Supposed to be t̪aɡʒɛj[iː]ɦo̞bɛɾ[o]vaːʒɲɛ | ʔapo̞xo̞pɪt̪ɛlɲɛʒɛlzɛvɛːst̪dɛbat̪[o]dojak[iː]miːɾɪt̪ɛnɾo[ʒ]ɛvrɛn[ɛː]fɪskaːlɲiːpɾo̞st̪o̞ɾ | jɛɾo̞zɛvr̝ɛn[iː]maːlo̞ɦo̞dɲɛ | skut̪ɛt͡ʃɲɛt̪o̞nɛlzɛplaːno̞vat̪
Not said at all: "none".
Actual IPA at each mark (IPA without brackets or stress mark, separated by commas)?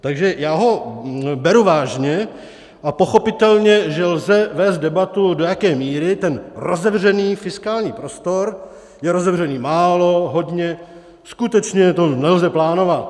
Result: aː, u, u, ɛː, z, iː, iː